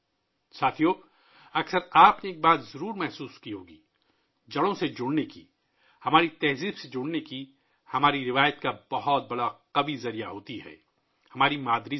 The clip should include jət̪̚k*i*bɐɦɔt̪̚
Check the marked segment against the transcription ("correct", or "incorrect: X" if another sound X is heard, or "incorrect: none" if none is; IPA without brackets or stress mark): incorrect: a